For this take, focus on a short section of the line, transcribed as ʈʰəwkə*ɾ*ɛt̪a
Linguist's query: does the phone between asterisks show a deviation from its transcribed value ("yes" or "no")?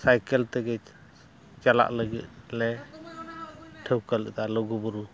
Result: yes